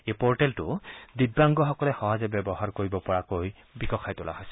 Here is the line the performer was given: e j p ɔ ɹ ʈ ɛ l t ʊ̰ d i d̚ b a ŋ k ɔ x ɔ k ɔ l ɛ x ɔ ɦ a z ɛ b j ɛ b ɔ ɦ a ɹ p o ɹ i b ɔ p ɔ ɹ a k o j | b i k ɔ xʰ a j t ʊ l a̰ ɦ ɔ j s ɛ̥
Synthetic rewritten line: e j p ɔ ɹ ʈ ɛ l t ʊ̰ d i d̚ b a ŋ ɡ ɔ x ɔ k ɔ l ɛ x ɔ ɦ a z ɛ b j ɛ b ɔ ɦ a ɹ k o ɹ i b ɔ p ɔ ɹ a k o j | b i k ɔ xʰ a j t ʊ l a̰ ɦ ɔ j s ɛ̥

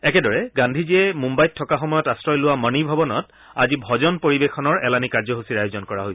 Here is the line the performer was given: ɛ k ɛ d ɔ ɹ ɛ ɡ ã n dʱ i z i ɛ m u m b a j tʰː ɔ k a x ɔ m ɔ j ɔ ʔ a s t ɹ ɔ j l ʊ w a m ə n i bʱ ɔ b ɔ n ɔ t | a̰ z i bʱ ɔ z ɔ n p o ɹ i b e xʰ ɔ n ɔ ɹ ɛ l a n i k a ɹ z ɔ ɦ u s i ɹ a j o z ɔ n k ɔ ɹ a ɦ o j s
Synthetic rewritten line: ɛ k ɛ d ɔ ɹ ɛ ɡ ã n dʱ i z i ɛ m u m b a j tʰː ɔ k a x ɔ m ɔ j ɔ t a s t ɹ ɔ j l ʊ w a m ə n i bʱ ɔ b ɔ n ɔ t | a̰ z i bʱ ɔ z ɔ n p o ɹ i b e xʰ ɔ n ɔ ɹ ɛ l a n i k a ɹ z ɔ ɦ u s i ɹ a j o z ɔ n k ɔ ɹ a ɦ o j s

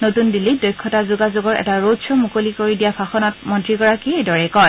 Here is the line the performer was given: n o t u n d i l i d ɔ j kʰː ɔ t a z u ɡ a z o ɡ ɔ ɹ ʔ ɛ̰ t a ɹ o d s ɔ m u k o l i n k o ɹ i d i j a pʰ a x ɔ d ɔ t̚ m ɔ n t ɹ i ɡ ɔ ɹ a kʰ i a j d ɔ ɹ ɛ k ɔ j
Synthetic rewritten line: n o t u n d i l i d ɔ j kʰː ɔ t a z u ɡ a z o ɡ ɔ ɹ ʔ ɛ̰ t a ɹ o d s ɔ m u k o l i k o ɹ i d i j a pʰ a x ɔ n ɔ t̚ m ɔ n t ɹ i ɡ ɔ ɹ a k i e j d ɔ ɹ ɛ k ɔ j

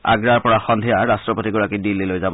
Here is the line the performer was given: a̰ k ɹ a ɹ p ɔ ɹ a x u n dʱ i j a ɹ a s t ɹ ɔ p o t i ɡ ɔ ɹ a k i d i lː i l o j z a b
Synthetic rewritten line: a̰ ɡ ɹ a ɹ p ɔ ɹ a x ɔ n dʱ i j a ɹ a s t ɹ ɔ p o t i ɡ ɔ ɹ a k i d i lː i l o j z a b

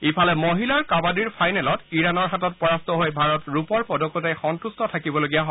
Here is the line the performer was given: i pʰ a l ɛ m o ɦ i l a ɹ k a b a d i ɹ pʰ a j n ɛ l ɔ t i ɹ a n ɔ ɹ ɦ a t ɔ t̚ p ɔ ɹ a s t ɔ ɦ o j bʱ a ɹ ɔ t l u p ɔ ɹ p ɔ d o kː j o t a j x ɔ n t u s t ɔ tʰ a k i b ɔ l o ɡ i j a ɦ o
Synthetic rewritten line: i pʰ a l ɛ m o ɦ i l a ɹ k a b a d i ɹ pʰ a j n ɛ l ɔ t i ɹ a n ɔ ɹ ɦ a t ɔ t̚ p ɔ ɹ a s t ɔ ɦ o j bʱ a ɹ ɔ t ɹ u p ɔ ɹ p ɔ d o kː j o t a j x ɔ n t u s t ɔ tʰ a k i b ɔ l o ɡ i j a ɦ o

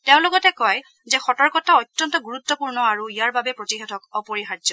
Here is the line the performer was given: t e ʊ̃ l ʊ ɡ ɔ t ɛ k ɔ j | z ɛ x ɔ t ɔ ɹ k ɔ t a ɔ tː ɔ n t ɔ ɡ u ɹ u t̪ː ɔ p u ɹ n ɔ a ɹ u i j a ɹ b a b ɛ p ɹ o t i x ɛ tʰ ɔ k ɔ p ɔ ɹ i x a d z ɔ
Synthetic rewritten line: t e ʊ̃ l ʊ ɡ ɔ t ɛ k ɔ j | z ɛ x ɔ t ɔ ɹ k ɔ t a ɔ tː ɔ n t ɔ ɡ u ɹ u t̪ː ɔ p u ɹ n ɔ a ɹ u i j a ɹ b a b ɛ p ɹ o t i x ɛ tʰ ɔ k ɔ p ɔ ɹ i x a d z ɔ

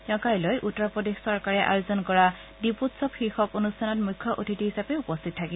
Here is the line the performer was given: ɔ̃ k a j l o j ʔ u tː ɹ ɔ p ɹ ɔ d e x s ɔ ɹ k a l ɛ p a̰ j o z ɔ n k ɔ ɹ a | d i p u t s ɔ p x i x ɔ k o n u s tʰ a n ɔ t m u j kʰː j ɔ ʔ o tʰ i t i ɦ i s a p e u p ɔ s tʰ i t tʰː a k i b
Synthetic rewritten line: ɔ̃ k a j l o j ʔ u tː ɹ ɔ p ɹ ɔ d e x s ɔ ɹ k a ɹ ɛ ʔ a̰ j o z ɔ n k ɔ ɹ a | d i p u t s ɔ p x i x ɔ k o n u s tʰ a n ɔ t m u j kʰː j ɔ ʔ o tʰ i t i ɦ i s a p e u p ɔ s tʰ i t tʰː a k i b

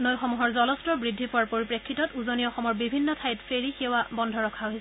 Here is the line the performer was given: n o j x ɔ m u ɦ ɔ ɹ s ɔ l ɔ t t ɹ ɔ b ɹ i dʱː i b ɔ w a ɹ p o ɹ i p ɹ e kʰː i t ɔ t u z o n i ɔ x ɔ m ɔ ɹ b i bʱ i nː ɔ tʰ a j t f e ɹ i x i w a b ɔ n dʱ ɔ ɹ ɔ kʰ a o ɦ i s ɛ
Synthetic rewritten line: n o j x ɔ m u ɦ ɔ ɹ z ɔ l ɔ s t ɹ ɔ b ɹ i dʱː i p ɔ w a ɹ p o ɹ i p ɹ e kʰː i t ɔ t u z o n i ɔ x ɔ m ɔ ɹ b i bʱ i nː ɔ tʰ a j t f e ɹ i x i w a b ɔ n dʱ ɔ ɹ ɔ kʰ a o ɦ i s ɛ

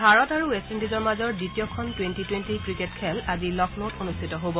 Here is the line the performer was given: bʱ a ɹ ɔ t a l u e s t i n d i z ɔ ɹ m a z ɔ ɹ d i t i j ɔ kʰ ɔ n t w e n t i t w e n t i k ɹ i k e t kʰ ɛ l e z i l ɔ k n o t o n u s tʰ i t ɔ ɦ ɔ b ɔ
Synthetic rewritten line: bʱ a ɹ ɔ t a ɹ u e s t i n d i z ɔ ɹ m a z ɔ ɹ d i t i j ɔ kʰ ɔ n t w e n t i t w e n t i k ɹ i k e t kʰ ɛ l a z i l ɔ k n o t o n u s tʰ i t ɔ ɦ o b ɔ

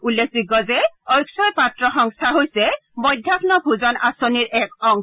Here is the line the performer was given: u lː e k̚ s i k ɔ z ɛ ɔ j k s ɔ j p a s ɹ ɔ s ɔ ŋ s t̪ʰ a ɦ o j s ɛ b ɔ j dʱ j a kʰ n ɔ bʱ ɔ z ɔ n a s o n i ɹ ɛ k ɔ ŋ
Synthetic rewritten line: u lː e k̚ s i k ɔ z ɛ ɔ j k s ɔ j p a t ɹ ɔ x ɔ ŋ s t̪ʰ a ɦ o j s ɛ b ɔ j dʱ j a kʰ n ɔ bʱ u z ɔ n a s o n i ɹ ɛ k ɔ ŋ

